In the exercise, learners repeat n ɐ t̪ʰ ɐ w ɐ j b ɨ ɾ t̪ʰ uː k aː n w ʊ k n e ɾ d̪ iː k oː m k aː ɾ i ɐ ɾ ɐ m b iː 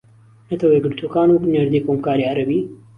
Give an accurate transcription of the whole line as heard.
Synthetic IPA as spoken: n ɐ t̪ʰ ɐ w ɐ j ɡ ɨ ɾ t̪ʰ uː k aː n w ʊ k n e ɾ d̪ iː k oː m k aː ɾ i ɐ ɾ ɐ b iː